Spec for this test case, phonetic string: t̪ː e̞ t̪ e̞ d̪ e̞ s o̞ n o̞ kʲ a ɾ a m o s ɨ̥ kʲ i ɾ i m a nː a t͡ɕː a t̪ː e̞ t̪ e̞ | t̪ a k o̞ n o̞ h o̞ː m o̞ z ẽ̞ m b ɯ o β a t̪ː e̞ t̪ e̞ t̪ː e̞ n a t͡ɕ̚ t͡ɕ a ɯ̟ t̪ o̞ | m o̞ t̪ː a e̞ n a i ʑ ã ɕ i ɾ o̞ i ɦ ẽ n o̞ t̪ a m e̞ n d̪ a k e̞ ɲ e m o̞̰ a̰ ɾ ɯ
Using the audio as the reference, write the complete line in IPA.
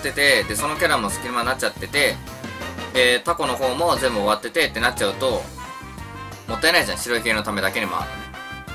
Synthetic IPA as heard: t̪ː e̞ t̪ e̞ d̪ e̞ s o̞ n o̞ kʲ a ɾ a m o s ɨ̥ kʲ i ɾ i m a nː a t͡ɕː a t̪ː e̞ t̪ e̞ | t̪ a k o̞ n o̞ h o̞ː m o̞ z ẽ̞ m b ɯ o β a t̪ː e̞ t̪ e̞ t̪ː e̞ n a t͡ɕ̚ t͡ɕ a ɯ̟ t̪ o̞ | m o̞ t̪ː a e̞ n a i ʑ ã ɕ i ɾ o̞ i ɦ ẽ n o̞ t̪ a m e̞ d̪ a k e̞ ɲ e m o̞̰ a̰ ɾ ɯ